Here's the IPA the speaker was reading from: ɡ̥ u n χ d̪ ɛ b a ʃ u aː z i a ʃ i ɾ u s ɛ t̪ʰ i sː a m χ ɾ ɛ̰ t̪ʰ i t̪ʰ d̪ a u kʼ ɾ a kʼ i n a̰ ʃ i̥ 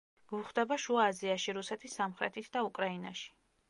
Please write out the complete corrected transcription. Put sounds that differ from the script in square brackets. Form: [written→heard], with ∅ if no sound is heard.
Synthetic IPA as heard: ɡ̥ u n χ d̪ ɛ b a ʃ u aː z i a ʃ i ɾ u s ɛ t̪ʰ i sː a m χ ɾ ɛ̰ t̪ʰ i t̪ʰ d̪ a u kʼ ɾ a [kʼ→∅] i n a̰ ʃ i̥